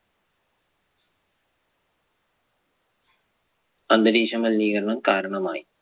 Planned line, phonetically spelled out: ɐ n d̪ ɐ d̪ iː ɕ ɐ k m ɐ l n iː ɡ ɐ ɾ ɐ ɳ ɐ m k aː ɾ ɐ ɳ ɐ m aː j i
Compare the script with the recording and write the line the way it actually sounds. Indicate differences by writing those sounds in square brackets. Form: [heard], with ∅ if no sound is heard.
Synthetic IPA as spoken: ɐ n d̪ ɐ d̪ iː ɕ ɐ [∅] m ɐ l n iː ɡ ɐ ɾ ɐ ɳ ɐ m k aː ɾ ɐ ɳ ɐ m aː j i

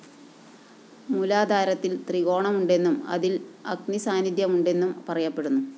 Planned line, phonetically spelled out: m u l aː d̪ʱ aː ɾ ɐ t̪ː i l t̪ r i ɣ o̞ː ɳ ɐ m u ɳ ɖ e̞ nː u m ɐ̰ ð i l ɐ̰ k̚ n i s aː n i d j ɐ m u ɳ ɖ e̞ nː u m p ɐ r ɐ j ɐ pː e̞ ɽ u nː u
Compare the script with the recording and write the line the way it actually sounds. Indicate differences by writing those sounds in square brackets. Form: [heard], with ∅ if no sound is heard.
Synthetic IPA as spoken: m u l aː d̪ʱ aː ɾ ɐ t̪ː i l t̪ r i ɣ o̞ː ɳ ɐ m u ɳ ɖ e̞ nː u m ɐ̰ ð i l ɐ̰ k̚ n i s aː n i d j ɐ m u ɳ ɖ e̞ nː u m p ɐ r ɐ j ɐ pː e̞ ɽ u nː u

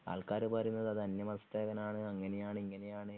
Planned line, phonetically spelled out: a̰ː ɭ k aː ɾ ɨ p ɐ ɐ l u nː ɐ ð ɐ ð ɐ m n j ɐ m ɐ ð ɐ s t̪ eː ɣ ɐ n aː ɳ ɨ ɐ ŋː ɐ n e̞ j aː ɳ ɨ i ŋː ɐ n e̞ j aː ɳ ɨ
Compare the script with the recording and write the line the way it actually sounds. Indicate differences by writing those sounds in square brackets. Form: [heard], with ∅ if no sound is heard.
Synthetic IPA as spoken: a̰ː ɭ k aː ɾ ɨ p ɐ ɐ [ɾ] u nː ɐ ð ɐ ð ɐ [∅] n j ɐ m ɐ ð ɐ s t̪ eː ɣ ɐ n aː ɳ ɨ ɐ ŋː ɐ n e̞ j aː ɳ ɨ i ŋː ɐ n e̞ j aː ɳ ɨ

